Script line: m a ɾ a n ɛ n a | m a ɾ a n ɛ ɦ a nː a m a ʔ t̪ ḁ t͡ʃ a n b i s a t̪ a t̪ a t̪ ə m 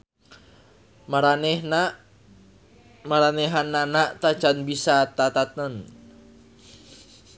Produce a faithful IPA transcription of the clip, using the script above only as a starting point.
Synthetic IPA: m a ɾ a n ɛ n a | m a ɾ a n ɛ ɦ a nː a n a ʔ t̪ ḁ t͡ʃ a n b i s a t̪ a t̪ a t̪ ə n